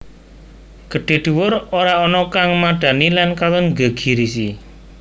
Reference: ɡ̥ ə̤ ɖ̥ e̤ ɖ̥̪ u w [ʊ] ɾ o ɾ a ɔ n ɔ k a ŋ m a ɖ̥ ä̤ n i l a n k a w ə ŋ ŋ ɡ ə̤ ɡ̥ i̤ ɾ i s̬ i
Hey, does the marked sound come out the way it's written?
yes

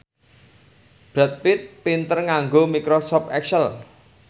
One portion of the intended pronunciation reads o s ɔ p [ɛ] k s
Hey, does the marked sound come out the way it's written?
yes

